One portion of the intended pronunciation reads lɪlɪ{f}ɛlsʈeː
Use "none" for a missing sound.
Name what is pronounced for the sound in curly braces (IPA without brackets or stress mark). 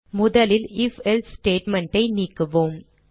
f